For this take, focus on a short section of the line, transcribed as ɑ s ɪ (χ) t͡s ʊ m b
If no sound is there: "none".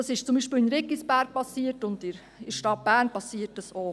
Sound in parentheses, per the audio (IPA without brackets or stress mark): ʃ